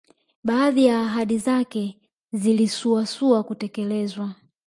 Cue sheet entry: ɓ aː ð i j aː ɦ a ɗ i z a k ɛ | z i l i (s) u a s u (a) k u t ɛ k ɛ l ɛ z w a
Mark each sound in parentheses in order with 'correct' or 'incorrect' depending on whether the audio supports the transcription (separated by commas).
correct, correct